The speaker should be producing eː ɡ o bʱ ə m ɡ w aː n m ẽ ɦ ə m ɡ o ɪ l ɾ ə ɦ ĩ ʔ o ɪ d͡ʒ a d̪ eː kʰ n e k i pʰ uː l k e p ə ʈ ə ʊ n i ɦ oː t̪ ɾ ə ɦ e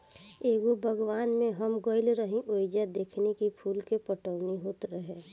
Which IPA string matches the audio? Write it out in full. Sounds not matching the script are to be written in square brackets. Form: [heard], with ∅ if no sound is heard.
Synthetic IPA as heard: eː ɡ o bʱ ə [∅] ɡ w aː n m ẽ ɦ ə m ɡ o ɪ l ɾ ə ɦ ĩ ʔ o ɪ d͡ʒ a d̪ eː kʰ n e k i pʰ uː l k e p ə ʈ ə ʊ n i ɦ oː t̪ ɾ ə ɦ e

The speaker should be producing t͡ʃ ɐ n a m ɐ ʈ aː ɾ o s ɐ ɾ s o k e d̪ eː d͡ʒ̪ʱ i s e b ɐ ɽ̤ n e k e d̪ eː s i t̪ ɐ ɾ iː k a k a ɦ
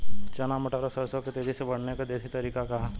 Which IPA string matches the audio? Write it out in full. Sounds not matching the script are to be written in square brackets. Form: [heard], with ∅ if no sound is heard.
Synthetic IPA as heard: t͡ʃ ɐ n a m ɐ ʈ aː ɾ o s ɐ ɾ s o k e [t̪] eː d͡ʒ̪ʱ i s e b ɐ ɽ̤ n e k [a] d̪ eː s i t̪ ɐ ɾ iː k a k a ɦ

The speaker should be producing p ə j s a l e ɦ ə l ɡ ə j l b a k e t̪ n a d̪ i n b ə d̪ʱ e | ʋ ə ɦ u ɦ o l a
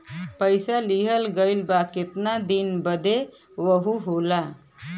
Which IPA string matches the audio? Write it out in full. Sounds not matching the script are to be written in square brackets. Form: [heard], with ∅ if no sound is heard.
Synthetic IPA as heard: p ə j s a l [i] ɦ ə l ɡ ə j l b a k e t̪ n a d̪ i n b ə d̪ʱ e | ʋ ə ɦ u ɦ o l a

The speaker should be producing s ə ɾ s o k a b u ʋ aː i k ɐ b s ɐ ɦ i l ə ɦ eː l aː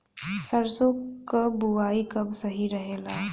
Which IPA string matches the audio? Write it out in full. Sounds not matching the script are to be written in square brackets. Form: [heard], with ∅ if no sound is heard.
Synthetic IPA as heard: s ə ɾ s o k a b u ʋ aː i k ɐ b s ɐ ɦ i [ɾ] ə ɦ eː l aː

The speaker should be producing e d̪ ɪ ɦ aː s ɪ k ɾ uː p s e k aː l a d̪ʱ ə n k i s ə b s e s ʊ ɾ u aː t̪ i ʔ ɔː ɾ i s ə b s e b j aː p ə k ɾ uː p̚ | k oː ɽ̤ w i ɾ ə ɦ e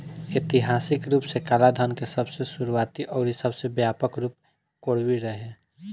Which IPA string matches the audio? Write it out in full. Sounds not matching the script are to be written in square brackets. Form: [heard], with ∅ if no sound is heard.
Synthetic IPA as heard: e [t̪] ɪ ɦ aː s ɪ k ɾ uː p s e k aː l a d̪ʱ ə n k [e] s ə b s e s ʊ ɾ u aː t̪ i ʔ ɔː ɾ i s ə b s e b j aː p ə k ɾ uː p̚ | k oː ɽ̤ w i ɾ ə ɦ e

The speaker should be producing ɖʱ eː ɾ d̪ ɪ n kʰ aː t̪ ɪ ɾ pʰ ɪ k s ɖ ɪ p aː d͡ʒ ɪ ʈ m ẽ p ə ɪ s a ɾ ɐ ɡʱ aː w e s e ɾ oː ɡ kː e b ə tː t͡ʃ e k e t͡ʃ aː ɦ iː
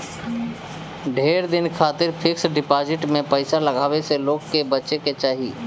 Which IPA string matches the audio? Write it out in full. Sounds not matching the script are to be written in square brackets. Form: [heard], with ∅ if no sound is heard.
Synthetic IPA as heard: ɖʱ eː ɾ d̪ ɪ n kʰ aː t̪ ɪ ɾ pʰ ɪ k s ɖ ɪ p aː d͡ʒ ɪ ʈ m ẽ p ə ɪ s a [l] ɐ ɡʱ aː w e s e [l] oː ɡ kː e b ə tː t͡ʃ e k e t͡ʃ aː ɦ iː

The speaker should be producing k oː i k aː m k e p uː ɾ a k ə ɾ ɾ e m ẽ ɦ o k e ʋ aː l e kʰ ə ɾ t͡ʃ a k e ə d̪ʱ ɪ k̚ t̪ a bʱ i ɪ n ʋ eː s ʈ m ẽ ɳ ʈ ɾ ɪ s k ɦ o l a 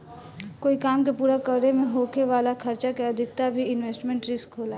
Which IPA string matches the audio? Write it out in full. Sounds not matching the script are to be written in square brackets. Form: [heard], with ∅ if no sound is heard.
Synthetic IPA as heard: k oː i k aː m k e p uː ɾ a k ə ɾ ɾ e m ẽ ɦ o k e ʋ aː l [a] kʰ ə ɾ t͡ʃ a k e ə d̪ʱ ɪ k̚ t̪ a bʱ i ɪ n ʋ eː s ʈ m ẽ ɳ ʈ ɾ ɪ s k ɦ o l a

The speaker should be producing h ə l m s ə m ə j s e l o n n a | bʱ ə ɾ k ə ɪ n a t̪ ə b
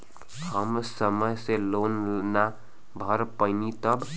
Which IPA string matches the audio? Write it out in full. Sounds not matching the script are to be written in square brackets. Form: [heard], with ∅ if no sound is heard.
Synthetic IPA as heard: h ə [∅] m s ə m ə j s e l o n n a | bʱ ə ɾ [p] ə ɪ n [i] t̪ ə b

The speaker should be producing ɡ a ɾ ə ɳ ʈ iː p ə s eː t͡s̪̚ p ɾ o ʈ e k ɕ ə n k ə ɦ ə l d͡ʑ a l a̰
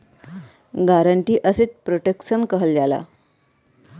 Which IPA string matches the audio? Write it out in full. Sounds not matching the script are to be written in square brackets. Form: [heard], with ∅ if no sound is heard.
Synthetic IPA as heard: ɡ a ɾ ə ɳ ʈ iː [ʔ] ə s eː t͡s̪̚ p ɾ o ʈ e k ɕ ə n k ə ɦ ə l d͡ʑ a l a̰

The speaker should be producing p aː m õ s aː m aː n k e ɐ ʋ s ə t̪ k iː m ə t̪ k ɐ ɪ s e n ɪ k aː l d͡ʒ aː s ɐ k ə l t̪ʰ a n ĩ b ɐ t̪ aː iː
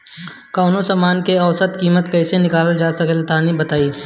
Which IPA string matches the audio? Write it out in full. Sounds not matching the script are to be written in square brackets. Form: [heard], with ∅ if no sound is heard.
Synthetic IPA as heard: [k] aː [n] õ s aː m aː n k e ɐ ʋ s ə t̪ k iː m ə t̪ k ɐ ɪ s e n ɪ k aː l d͡ʒ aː s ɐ k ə l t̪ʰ a n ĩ b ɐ t̪ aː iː

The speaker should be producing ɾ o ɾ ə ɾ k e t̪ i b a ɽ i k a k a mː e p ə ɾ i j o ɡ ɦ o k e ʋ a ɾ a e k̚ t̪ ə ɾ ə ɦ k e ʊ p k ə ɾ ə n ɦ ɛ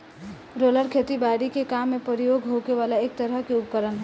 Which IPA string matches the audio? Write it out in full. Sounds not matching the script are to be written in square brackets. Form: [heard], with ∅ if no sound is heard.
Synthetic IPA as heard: ɾ o [l] ə ɾ [kʰ] e t̪ i b a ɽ i k [e] k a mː e p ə ɾ i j o ɡ ɦ o k e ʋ a [l] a e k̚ t̪ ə ɾ ə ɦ k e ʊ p k ə ɾ ə n ɦ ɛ

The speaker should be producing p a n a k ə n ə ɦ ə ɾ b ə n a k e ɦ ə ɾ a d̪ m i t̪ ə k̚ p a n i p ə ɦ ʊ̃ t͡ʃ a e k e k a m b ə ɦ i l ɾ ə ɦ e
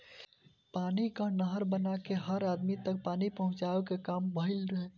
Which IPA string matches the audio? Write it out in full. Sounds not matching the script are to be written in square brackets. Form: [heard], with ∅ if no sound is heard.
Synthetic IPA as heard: p a n [i] k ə n ə ɦ ə ɾ b ə n a k e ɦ ə ɾ a d̪ m i t̪ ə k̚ p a n i p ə ɦ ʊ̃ t͡ʃ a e k e k a m b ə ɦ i l ɾ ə ɦ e

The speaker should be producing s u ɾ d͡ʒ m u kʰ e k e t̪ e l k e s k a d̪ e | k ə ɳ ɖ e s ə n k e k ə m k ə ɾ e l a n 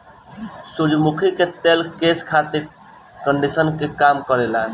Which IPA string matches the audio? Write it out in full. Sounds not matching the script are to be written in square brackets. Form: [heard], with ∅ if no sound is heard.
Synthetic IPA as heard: s u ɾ d͡ʒ m u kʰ [i] k e t̪ e l k e s [kʰ] a [t̪] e | k ə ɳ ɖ [i] s ə n k e k [a] m k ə ɾ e l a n

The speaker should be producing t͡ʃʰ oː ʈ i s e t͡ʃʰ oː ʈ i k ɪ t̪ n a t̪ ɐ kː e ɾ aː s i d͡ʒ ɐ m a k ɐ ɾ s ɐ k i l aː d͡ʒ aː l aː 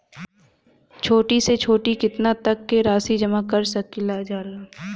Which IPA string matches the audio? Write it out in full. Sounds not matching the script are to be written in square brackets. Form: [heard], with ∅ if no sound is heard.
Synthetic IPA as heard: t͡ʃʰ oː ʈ i s e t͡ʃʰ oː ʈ i k ɪ t̪ n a t̪ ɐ kː e ɾ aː s i d͡ʒ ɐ m a k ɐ ɾ s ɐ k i l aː d͡ʒ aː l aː

